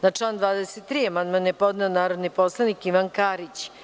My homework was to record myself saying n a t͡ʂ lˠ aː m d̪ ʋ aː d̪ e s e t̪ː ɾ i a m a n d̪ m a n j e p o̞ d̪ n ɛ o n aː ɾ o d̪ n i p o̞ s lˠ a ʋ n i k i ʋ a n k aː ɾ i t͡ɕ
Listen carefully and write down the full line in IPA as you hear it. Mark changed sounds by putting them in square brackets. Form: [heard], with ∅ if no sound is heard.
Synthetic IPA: n a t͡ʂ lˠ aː [n] d̪ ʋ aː d̪ e s e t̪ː ɾ i a m a n d̪ m a n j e p o̞ d̪ n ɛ o n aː ɾ o d̪ n i p o̞ s lˠ a [∅] n i k i ʋ a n k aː ɾ i t͡ɕ